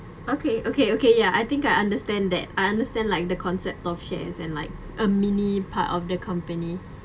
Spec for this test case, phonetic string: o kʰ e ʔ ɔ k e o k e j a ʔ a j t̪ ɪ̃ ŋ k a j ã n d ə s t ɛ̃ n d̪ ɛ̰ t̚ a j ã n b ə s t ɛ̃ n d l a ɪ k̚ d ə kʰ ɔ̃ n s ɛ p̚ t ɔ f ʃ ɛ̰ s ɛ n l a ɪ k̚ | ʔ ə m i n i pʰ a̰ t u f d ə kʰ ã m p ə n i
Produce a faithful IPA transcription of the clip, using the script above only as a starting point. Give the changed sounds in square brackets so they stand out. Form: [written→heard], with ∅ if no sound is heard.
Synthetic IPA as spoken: o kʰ e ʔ [ɔ→o] k e o k e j a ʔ a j t̪ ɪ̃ ŋ k a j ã n d ə s t ɛ̃ n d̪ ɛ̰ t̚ a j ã n [b→d] ə s t ɛ̃ n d l a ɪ k̚ d ə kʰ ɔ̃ n s ɛ p̚ t ɔ f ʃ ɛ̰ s [ɛ→ɛ̃] n l a ɪ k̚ | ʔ ə m i n i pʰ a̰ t [u→ɔ] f d ə kʰ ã m p ə n i

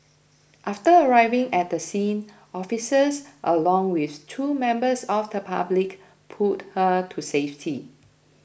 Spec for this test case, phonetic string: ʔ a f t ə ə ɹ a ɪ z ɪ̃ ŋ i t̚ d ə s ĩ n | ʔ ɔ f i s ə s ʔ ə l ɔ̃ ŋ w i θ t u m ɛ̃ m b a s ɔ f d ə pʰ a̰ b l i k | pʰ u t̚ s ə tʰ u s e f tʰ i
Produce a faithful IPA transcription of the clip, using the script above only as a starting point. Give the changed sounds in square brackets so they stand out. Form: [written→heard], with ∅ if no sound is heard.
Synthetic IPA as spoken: ʔ a f t ə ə ɹ a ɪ [z→v] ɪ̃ ŋ [i→ɛ] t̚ d ə s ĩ n | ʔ ɔ f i s ə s ʔ ə l ɔ̃ ŋ w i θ [t→tʰ] u m ɛ̃ m b [a→ə] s ɔ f d ə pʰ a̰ b l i k | pʰ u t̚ [s→h] ə tʰ u s e f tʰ i

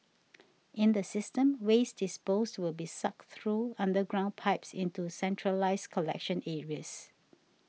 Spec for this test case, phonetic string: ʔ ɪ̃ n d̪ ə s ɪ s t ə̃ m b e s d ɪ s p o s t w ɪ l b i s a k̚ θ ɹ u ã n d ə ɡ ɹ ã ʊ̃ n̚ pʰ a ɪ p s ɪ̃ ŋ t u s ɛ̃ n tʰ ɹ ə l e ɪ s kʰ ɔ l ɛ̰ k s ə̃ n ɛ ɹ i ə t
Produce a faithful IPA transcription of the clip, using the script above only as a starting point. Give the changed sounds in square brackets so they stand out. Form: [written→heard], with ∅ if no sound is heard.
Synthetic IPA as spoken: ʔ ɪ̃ n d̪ ə s ɪ s t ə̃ m [b→w] e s d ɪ s p o s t w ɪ l b i s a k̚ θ ɹ u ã n d ə ɡ ɹ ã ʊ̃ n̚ pʰ a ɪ p s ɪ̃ [ŋ→n] t u s ɛ̃ n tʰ ɹ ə l [e→a] ɪ s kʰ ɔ l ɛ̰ k [s→ʃ] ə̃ n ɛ ɹ i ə [t→s]

